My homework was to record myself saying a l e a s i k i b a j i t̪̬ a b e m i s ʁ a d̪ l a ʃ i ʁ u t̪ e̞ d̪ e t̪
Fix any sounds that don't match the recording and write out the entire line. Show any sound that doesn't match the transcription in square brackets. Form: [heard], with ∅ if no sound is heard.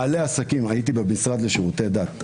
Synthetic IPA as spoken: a l e a s [a] k i [m] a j i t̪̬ [i] b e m i s ʁ a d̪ l [e] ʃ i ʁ u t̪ e̞ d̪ [a] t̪